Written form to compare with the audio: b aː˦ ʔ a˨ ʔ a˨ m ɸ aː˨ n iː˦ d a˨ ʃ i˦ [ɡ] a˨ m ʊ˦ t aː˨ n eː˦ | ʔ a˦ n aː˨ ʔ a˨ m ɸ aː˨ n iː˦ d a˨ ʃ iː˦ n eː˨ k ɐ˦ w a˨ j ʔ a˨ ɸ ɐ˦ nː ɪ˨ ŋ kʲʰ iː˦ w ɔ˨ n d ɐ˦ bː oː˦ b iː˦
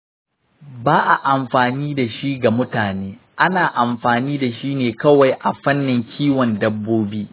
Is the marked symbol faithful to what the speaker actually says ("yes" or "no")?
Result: yes